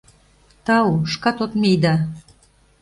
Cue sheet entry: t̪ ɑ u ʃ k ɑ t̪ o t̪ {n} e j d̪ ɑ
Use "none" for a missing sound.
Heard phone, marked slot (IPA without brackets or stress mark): m